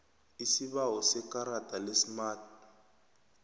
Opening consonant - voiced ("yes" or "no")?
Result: no